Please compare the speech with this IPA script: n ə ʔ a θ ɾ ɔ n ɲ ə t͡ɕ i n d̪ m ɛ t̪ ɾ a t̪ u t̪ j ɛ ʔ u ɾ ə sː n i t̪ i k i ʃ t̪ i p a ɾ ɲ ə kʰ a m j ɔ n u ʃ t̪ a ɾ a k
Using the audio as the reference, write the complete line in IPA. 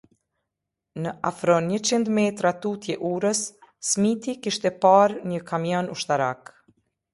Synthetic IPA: n ə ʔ a f ɾ ɔ n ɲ ə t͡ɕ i n d̪ m ɛ t̪ ɾ a t̪ u t̪ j ɛ ʔ u ɾ ə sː m i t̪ i k i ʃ t̪ ɛ p a ɾ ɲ ə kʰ a m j ɔ n u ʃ t̪ a ɾ a k